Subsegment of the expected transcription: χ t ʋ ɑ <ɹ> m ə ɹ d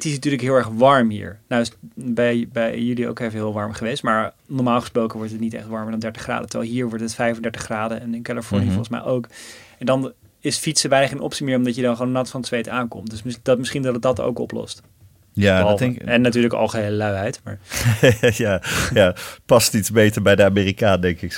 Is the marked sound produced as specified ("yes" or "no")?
yes